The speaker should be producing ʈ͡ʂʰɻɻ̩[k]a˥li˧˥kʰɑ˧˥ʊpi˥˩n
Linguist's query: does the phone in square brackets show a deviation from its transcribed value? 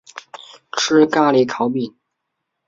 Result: no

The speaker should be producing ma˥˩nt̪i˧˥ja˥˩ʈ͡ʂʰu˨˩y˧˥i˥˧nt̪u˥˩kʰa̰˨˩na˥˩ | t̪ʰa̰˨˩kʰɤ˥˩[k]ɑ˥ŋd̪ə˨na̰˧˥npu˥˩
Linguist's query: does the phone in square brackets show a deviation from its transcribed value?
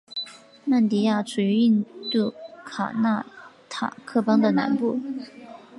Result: yes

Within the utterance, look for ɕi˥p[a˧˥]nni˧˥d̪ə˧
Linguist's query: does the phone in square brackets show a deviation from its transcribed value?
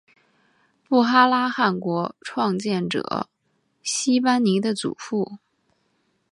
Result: yes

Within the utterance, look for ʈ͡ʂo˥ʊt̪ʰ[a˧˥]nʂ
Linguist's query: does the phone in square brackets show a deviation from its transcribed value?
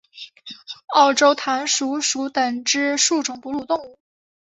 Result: no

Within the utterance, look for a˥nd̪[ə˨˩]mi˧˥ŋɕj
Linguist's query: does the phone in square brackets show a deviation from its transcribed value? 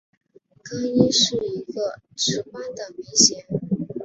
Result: no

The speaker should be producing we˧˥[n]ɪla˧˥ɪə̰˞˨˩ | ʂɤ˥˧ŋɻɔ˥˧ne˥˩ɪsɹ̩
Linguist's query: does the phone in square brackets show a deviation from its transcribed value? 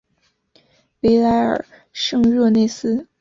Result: yes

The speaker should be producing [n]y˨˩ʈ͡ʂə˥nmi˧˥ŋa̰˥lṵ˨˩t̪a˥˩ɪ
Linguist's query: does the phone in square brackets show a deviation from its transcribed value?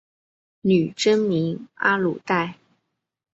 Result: no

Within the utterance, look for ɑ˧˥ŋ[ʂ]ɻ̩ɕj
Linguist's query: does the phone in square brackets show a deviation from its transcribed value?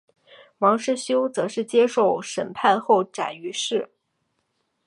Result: no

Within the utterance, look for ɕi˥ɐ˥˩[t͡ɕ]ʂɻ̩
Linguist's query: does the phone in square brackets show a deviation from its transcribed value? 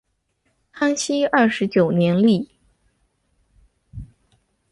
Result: yes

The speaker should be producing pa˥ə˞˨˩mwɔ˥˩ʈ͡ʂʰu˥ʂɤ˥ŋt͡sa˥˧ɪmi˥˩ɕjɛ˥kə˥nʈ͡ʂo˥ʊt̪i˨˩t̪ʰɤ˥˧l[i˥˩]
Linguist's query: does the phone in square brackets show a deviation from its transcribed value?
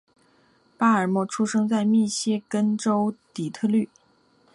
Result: yes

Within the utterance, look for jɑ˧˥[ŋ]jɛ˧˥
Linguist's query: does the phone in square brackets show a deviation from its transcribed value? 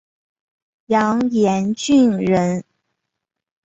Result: no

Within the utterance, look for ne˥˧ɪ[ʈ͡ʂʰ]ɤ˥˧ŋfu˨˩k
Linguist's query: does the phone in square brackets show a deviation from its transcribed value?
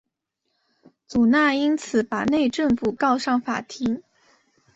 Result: yes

